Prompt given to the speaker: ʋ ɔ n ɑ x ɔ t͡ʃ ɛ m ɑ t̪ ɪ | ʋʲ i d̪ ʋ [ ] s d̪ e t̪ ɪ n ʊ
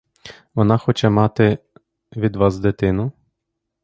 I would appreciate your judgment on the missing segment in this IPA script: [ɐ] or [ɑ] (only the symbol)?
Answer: ɑ